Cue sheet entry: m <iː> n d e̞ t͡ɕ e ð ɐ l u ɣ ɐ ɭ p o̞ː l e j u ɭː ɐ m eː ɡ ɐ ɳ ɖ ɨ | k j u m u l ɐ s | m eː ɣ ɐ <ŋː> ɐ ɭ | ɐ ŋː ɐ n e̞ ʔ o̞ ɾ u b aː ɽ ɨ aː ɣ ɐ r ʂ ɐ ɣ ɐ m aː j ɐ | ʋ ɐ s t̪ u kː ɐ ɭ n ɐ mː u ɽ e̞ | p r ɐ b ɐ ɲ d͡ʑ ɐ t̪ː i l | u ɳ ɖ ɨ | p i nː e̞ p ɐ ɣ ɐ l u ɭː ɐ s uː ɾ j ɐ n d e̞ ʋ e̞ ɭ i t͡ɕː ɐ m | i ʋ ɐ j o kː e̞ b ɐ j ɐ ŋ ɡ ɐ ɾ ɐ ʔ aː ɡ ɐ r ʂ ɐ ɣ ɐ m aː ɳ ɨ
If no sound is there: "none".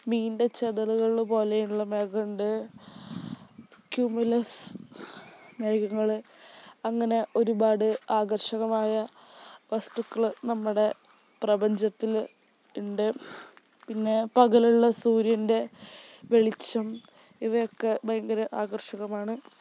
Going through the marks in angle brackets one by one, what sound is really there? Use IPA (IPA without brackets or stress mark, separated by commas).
iː, ŋː